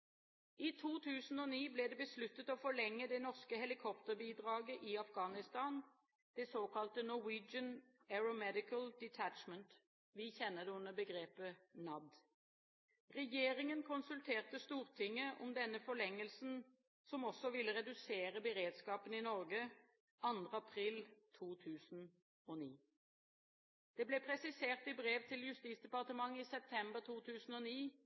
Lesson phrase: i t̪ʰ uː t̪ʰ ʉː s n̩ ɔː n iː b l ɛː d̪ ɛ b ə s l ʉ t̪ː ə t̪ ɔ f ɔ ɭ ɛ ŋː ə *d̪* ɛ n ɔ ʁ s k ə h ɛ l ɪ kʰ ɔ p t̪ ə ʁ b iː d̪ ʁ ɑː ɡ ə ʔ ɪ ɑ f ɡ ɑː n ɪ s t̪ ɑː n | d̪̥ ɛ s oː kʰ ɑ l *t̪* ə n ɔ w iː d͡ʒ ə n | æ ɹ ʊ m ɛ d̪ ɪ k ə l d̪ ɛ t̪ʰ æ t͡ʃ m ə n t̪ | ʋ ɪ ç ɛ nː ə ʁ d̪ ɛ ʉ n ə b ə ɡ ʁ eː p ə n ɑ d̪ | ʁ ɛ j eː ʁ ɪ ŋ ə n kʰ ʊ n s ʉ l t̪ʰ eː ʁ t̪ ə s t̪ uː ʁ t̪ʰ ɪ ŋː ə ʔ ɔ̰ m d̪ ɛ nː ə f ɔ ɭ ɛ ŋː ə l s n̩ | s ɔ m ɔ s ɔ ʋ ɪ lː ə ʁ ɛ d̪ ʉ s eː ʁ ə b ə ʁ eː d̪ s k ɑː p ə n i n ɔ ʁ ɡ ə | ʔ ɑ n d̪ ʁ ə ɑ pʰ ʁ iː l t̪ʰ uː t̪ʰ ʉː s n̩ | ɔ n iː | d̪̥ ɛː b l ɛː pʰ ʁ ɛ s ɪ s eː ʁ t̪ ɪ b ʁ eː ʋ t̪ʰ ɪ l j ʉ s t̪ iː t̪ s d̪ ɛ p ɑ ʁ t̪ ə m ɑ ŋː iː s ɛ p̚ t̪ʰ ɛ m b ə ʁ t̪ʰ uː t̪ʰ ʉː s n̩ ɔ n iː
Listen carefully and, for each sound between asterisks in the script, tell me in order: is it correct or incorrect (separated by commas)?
correct, correct